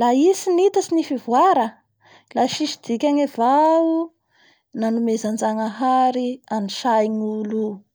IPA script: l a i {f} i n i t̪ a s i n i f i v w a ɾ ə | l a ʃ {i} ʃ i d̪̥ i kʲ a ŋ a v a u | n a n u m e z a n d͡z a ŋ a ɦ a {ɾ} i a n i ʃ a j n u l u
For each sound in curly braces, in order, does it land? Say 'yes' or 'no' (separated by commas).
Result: no, yes, yes